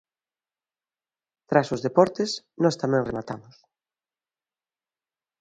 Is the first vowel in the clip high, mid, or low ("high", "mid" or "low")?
low